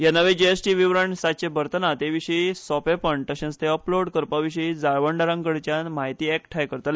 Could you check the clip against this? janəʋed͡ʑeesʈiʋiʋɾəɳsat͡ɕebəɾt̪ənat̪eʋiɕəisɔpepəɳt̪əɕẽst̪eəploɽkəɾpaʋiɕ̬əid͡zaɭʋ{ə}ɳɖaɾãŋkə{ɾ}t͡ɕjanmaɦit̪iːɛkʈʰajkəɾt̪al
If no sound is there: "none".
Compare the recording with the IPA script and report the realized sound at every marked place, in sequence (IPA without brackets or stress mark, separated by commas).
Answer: ə, ɽ